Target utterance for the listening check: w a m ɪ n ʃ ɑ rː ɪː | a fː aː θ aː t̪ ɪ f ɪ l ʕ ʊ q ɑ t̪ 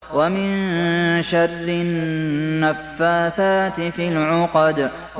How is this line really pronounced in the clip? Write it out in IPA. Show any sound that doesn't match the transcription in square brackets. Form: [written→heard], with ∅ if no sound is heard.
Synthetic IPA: w a m ɪ n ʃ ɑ rː ɪː | a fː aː θ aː t̪ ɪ f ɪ l ʕ ʊ q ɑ [t̪→d̪]